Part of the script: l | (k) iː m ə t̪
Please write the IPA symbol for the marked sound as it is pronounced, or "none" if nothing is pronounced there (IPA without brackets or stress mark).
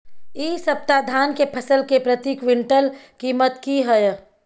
k